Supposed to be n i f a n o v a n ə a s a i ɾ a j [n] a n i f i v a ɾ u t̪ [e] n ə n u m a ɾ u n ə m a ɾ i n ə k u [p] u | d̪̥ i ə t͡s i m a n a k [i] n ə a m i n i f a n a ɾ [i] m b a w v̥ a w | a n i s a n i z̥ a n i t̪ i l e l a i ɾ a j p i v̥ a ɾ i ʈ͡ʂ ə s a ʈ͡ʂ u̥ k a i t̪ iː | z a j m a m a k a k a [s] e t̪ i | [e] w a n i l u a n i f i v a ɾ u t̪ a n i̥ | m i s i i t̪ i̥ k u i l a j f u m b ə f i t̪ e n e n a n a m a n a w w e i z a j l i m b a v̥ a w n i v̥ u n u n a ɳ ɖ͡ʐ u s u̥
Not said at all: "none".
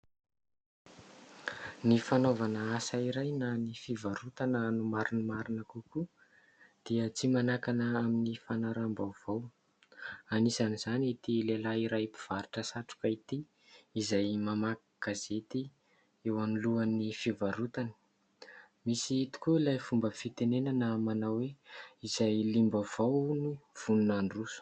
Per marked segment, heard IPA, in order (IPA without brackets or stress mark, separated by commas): n, a, k, a, a, z, e